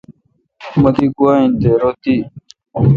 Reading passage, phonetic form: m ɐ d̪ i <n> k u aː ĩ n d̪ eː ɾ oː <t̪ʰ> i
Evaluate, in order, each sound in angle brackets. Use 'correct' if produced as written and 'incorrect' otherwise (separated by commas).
incorrect, incorrect